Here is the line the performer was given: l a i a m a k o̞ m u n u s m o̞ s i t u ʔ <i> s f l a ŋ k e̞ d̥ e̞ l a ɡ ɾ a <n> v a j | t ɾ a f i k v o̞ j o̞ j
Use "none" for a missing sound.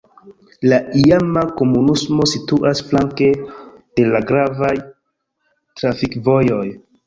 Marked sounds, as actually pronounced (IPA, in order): a, none

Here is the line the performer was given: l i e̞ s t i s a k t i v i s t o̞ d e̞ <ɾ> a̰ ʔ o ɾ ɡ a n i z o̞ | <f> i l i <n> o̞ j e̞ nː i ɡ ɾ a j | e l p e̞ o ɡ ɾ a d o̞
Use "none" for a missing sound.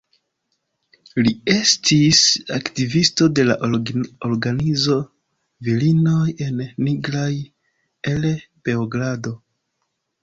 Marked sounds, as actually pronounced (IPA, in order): l, v, n

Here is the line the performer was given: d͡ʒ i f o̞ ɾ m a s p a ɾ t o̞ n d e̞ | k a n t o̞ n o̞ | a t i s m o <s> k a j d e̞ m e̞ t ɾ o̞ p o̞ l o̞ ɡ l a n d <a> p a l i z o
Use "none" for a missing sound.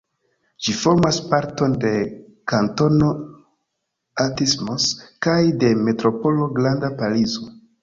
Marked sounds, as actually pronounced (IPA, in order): s, a

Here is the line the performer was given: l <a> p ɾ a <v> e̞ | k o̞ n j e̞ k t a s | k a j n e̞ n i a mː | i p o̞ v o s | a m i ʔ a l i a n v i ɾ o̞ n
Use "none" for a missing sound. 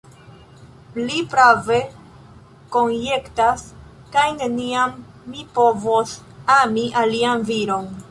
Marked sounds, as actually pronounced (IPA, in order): i, v

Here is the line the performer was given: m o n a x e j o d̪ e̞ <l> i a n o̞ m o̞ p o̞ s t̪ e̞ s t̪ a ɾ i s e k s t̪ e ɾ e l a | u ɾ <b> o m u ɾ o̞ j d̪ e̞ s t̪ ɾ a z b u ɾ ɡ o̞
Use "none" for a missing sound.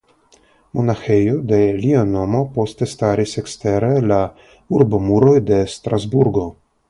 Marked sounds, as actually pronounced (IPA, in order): l, b

